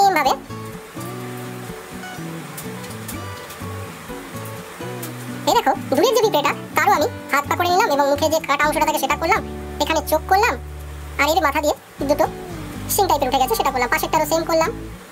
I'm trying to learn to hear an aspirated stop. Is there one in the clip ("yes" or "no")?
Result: yes